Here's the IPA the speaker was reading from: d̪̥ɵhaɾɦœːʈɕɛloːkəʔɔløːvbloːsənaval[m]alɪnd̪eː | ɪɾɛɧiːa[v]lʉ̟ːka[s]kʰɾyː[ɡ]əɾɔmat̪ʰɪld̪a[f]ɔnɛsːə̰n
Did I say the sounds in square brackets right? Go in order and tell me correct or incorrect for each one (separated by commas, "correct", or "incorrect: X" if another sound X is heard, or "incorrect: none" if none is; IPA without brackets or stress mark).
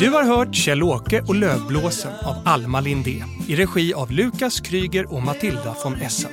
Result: correct, correct, correct, correct, correct